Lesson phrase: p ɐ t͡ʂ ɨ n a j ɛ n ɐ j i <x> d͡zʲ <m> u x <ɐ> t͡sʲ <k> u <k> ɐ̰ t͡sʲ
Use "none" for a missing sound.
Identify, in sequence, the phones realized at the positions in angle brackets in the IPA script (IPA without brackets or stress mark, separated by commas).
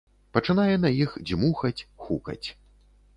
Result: x, m, ɐ, x, k